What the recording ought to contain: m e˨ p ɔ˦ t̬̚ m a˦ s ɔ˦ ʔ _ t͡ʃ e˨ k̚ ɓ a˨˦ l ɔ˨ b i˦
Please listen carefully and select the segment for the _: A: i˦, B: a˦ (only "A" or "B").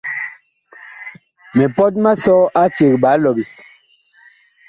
B